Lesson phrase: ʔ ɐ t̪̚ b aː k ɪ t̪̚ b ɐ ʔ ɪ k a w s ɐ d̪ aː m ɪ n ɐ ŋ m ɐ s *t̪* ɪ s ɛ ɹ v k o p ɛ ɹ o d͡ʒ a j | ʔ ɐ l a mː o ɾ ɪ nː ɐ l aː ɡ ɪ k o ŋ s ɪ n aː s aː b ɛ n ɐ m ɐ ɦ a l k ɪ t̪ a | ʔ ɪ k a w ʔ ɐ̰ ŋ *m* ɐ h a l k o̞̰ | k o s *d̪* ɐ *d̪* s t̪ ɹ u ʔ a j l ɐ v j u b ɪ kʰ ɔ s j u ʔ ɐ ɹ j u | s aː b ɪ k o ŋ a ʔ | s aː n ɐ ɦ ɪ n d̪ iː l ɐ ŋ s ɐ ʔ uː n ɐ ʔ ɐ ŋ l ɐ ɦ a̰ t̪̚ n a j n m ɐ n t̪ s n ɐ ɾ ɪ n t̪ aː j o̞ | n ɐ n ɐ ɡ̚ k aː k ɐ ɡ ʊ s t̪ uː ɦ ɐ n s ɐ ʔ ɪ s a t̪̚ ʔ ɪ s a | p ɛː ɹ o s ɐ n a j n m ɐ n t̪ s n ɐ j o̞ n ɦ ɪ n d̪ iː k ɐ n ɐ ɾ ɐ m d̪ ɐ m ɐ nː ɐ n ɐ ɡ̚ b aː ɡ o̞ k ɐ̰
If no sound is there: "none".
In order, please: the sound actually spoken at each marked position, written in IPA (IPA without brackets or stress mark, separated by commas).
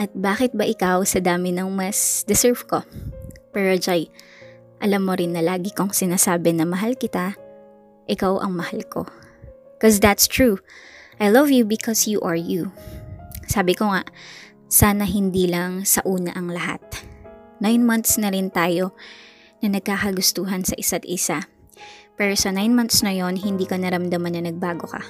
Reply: d̪, m, d̪, t̪